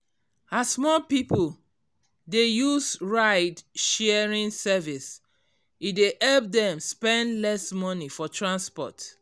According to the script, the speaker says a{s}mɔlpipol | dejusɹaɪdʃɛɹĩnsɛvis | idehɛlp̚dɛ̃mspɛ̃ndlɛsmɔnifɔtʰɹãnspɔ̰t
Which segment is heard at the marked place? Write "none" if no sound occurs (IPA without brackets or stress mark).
s